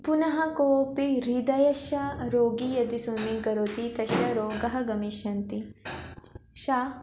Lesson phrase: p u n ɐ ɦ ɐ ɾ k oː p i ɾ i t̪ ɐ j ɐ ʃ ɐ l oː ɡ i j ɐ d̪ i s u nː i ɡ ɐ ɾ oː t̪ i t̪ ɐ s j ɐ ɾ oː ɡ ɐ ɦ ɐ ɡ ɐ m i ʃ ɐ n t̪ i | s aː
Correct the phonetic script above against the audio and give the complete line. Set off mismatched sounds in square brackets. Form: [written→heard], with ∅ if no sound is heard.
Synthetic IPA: p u n ɐ ɦ ɐ [ɾ→∅] k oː p i ɾ i [t̪→d̪] ɐ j ɐ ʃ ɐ [l→ɾ] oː ɡ i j ɐ d̪ i s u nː i ɡ ɐ ɾ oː t̪ i t̪ ɐ [s→ʃ] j ɐ ɾ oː ɡ ɐ ɦ ɐ ɡ ɐ m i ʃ ɐ n t̪ i | [s→ʃ] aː